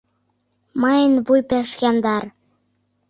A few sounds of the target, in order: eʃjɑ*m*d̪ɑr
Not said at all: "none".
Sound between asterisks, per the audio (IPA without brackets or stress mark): n